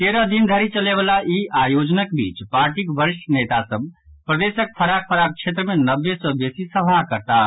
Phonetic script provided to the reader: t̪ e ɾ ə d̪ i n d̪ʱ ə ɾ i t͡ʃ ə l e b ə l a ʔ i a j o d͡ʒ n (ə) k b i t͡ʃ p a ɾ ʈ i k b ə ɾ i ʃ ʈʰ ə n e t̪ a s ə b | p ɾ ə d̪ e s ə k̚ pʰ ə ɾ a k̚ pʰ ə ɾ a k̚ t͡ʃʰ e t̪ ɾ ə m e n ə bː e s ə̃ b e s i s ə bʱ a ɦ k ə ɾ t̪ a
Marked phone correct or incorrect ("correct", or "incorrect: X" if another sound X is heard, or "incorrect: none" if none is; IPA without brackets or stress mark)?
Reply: correct